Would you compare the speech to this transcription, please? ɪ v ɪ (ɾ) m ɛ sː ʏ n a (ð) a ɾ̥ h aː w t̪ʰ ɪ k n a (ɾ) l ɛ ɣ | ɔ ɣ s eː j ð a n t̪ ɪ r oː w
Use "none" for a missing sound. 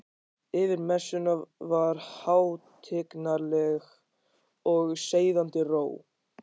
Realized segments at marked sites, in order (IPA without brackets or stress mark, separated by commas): ɾ, v, ɾ